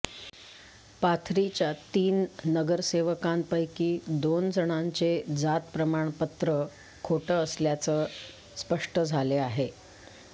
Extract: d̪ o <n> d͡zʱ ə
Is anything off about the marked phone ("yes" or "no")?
no